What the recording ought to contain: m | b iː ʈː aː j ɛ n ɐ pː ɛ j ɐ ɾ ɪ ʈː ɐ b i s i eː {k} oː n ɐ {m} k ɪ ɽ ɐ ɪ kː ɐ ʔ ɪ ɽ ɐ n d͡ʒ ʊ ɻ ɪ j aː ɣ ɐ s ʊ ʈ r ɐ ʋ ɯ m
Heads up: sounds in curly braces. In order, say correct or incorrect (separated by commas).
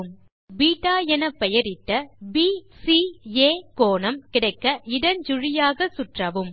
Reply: correct, correct